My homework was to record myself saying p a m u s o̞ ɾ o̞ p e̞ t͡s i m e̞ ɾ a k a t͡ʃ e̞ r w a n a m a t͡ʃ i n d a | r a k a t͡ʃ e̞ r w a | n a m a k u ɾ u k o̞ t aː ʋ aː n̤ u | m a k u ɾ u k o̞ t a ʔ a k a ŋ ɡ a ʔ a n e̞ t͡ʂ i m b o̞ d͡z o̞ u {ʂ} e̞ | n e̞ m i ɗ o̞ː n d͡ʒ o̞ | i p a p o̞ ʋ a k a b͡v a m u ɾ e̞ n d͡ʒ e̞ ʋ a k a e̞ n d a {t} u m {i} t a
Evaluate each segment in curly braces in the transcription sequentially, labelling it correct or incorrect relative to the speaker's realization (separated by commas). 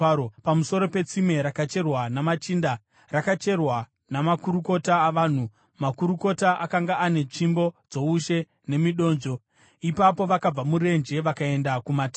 incorrect, incorrect, incorrect